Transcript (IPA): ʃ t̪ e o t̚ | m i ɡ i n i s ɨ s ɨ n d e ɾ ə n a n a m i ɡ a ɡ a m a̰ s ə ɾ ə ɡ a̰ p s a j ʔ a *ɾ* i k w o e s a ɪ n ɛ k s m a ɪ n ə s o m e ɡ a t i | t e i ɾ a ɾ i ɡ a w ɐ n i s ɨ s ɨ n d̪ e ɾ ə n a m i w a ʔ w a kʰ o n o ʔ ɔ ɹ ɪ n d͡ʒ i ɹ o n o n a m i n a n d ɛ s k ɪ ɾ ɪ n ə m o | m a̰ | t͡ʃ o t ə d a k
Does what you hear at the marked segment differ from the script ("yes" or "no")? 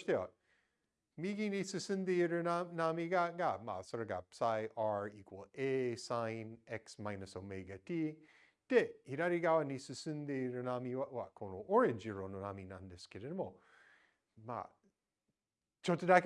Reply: yes